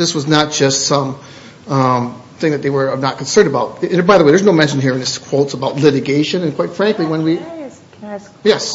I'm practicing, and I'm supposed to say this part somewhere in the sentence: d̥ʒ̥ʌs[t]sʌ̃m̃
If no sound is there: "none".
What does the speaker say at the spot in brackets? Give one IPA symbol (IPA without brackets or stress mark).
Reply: t